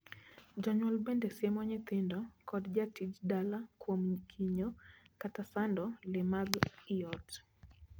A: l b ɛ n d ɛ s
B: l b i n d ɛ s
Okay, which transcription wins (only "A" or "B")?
A